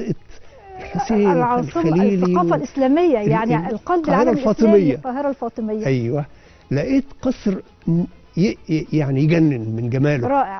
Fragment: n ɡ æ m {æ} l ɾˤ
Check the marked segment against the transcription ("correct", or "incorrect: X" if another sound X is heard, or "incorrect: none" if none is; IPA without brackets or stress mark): incorrect: æː